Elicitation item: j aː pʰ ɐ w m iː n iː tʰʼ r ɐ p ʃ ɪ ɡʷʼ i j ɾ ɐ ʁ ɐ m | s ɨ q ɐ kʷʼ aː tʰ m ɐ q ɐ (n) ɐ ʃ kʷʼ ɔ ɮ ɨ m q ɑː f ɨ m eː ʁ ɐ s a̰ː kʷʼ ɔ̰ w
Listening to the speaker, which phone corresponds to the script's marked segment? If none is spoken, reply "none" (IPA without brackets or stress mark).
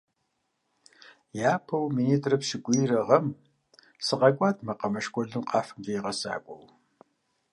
m